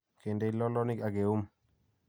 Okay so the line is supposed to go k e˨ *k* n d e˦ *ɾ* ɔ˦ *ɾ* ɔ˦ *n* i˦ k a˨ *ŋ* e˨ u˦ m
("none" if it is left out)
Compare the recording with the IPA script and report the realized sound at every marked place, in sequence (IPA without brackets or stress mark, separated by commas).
none, l, l, n, ɡ